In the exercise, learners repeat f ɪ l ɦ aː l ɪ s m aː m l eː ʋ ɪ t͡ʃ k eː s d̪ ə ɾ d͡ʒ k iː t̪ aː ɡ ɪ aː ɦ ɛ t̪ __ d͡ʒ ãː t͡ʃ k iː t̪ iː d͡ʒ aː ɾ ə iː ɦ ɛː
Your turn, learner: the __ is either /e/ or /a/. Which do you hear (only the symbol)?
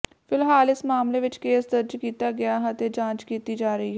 e